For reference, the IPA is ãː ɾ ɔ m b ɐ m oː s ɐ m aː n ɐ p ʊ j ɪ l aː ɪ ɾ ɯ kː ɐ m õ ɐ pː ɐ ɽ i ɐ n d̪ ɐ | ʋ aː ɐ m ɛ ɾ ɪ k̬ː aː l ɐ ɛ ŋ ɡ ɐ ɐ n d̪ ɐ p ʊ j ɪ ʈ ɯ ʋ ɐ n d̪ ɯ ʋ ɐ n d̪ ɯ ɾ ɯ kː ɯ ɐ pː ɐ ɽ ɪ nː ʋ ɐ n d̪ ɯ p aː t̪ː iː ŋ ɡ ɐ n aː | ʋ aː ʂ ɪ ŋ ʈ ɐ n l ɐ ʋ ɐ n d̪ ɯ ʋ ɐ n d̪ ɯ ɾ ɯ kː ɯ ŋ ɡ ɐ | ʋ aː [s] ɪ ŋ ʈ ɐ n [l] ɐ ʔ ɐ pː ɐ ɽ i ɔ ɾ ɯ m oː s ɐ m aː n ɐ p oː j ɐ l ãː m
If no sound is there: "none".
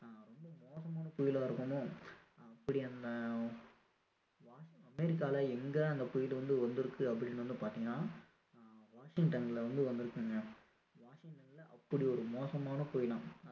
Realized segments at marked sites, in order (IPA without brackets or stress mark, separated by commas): ʂ, l